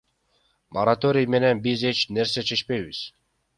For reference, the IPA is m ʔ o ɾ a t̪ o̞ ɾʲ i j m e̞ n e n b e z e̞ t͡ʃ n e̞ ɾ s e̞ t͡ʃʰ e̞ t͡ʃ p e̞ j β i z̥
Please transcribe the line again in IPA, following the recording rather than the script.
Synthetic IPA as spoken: m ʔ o ɾ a t̪ o̞ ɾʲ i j m e̞ n e n b i z e̞ t͡ʃ n e̞ ɾ s e̞ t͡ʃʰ e̞ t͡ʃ p e̞ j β i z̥

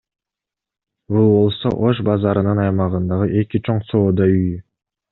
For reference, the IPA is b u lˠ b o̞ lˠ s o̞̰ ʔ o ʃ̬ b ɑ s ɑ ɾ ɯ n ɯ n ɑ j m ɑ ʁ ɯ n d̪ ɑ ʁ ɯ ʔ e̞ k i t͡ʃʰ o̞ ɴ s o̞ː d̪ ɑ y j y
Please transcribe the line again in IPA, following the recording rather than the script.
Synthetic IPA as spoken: b u lˠ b o̞ lˠ s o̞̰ ʔ o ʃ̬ b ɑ z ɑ ɾ ɯ n ɯ n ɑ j m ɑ ʁ ɯ n d̪ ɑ ʁ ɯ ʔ e̞ k i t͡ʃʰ o̞ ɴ s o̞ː d̪ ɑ y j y

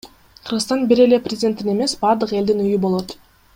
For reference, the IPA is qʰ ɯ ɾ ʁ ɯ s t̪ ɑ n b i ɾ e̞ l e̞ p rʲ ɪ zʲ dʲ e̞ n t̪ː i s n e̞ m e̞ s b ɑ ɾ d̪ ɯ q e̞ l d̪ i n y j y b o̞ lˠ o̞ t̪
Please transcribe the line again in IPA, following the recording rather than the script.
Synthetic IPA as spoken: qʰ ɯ ɾ ʁ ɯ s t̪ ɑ n b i ɾ e̞ l e̞ p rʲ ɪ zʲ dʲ e̞ n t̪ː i n e̞ m e̞ s b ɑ ɾ d̪ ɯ q e̞ l d̪ i n y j y b o̞ lˠ o̞ t̪

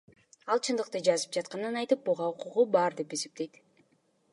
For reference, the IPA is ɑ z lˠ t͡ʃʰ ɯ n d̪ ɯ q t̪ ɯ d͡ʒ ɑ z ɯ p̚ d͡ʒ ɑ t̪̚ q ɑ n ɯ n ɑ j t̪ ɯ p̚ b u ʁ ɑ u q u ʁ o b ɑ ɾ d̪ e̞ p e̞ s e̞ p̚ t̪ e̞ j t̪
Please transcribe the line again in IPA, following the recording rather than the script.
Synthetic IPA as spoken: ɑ lˠ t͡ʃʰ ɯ n d̪ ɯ q t̪ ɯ d͡ʒ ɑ z ɯ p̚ d͡ʒ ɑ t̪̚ q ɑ n ɯ n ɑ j t̪ ɯ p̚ b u ʁ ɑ u q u ʁ u b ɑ ɾ d̪ e̞ p e̞ s e̞ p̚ t̪ e̞ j t̪

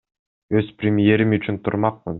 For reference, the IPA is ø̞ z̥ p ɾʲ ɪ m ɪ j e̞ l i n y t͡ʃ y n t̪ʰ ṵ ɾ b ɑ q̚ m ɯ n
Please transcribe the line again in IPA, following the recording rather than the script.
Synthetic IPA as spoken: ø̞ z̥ p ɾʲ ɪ m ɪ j e̞ ɾ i m y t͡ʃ y n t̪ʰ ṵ ɾ m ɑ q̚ m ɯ n

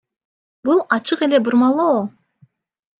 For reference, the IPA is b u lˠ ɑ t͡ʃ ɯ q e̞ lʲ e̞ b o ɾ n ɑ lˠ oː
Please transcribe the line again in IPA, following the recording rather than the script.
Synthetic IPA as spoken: b u lˠ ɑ t͡ʃ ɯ q e̞ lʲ e̞ b u ɾ m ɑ lˠ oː

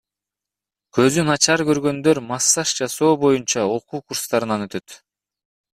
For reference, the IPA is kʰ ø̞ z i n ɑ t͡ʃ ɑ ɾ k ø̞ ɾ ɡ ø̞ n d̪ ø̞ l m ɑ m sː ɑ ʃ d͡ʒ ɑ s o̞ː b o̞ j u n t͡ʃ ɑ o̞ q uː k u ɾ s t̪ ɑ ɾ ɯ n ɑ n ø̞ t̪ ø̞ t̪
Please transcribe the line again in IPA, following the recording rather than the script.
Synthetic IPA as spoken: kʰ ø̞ z y n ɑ t͡ʃ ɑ ɾ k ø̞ ɾ ɡ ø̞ n d̪ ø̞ ɾ m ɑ sː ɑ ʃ d͡ʒ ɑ s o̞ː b o̞ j u n t͡ʃ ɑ o̞ q uː k u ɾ s t̪ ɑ ɾ ɯ n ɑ n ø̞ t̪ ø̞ t̪

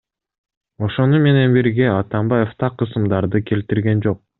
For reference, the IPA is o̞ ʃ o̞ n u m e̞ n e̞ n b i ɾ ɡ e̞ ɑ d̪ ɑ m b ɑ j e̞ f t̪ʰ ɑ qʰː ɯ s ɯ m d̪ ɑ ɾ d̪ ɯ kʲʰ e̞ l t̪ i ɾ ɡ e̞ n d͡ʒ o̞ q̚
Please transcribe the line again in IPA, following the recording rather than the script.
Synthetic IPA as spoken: o̞ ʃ o̞ n u m e̞ n e̞ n b i ɾ ɡ e̞ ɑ t̪ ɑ m b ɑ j e̞ f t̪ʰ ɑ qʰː ɯ s ɯ m d̪ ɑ ɾ d̪ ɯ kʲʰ e̞ l t̪ i ɾ ɡ e̞ n d͡ʒ o̞ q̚

